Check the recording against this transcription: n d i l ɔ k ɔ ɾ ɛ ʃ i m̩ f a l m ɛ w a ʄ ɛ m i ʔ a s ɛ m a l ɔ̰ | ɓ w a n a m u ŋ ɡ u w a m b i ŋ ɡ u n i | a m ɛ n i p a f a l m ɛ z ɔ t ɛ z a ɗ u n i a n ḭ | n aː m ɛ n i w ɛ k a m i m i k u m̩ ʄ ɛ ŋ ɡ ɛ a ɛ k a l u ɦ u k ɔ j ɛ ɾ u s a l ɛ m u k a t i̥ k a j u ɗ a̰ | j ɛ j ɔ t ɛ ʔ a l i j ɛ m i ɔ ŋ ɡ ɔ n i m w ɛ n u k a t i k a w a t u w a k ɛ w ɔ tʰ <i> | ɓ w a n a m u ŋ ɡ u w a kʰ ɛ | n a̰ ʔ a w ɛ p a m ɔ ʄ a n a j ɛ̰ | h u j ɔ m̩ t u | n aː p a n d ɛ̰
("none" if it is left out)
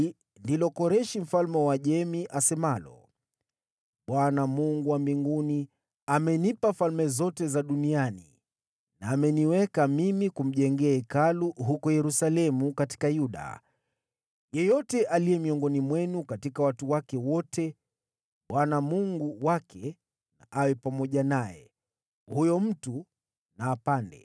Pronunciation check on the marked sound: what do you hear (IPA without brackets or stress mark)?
ɛ